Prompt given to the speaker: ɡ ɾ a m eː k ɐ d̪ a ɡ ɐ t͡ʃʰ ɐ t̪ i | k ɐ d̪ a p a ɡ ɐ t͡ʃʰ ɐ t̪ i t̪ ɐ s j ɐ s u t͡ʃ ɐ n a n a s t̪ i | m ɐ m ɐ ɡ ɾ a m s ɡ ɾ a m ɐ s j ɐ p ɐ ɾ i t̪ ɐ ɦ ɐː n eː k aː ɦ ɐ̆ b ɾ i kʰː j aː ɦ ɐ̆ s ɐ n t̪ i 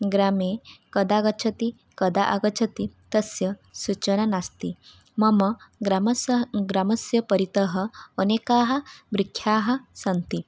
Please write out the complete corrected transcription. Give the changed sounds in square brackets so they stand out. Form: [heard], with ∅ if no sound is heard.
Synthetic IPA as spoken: ɡ ɾ a m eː k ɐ d̪ a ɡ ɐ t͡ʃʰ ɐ t̪ i | k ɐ d̪ a [ʔ] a ɡ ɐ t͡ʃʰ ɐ t̪ i t̪ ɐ s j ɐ s u t͡ʃ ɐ n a n a s t̪ i | m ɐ m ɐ ɡ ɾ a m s ɡ ɾ a m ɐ s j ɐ p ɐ ɾ i t̪ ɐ ɦ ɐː n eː k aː ɦ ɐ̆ b ɾ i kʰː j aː ɦ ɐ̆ s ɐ n t̪ i